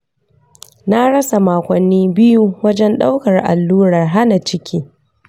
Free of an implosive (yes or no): no